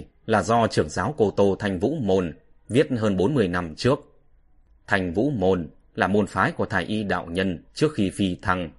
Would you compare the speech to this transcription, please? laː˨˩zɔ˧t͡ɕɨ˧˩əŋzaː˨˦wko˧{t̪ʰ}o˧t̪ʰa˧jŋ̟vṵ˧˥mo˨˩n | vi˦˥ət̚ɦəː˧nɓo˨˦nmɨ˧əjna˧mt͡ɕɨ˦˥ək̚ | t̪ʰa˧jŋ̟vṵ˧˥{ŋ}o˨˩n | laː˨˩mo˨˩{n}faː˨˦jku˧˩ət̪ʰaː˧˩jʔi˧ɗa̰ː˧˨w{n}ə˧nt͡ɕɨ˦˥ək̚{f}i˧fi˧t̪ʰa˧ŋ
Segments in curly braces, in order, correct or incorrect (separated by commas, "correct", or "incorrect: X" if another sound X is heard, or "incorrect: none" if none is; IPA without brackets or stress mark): incorrect: t̪, incorrect: m, correct, incorrect: ɲ, incorrect: x